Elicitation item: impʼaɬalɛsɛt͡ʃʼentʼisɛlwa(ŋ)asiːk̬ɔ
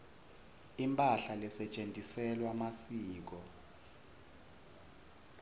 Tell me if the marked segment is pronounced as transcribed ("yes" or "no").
no